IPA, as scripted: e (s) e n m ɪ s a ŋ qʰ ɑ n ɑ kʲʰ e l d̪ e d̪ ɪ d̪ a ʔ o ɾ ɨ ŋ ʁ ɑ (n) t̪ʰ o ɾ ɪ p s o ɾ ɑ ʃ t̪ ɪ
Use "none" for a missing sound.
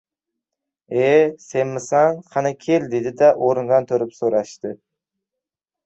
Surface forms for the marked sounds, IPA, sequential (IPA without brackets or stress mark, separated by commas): s, n